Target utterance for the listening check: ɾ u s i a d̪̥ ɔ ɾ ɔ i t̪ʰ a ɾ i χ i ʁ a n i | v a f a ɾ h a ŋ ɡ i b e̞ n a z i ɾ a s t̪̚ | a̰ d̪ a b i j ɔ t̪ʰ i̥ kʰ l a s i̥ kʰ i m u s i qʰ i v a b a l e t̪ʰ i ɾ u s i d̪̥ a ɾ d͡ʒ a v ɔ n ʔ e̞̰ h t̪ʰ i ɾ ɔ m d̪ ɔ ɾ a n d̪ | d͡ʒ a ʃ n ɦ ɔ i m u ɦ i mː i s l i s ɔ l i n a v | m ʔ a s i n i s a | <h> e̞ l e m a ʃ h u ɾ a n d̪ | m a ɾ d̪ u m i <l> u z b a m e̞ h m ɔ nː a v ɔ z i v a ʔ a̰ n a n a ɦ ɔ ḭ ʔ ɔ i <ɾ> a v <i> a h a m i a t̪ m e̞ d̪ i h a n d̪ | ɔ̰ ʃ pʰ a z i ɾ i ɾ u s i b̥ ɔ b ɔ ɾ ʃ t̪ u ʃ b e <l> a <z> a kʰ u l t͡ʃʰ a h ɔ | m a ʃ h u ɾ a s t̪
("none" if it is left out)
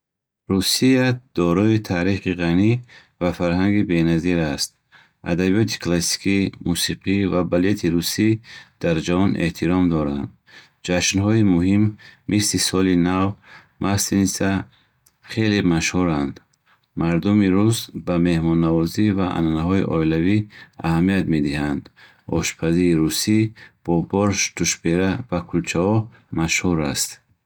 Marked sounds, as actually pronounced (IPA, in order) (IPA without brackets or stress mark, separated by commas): χ, ɾ, l, i, ɾ, v